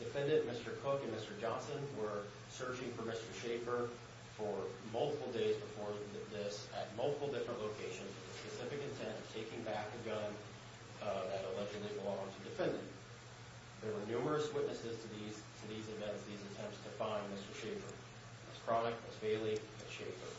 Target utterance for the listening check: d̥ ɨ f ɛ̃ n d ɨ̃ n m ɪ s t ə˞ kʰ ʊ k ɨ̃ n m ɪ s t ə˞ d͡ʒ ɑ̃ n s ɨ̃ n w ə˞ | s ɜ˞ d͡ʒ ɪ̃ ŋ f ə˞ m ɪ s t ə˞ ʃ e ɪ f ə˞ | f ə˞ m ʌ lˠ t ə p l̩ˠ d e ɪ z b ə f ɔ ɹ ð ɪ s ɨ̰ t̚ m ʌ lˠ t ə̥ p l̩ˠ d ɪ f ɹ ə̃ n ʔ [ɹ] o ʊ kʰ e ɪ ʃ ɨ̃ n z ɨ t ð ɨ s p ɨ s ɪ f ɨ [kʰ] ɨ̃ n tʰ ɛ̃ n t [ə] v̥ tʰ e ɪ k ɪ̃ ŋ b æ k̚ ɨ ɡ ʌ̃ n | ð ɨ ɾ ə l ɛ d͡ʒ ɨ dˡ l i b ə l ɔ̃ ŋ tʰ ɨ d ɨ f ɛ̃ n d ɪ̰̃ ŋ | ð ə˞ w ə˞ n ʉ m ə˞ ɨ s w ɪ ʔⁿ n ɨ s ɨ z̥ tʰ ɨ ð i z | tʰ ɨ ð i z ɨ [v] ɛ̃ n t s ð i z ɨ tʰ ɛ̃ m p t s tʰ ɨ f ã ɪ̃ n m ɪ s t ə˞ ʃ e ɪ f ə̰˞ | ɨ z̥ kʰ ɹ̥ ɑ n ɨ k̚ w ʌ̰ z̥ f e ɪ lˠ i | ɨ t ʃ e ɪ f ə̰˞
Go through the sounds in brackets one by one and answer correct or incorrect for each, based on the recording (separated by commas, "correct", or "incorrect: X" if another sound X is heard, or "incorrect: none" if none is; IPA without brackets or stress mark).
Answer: incorrect: l, incorrect: k, incorrect: ʌ, correct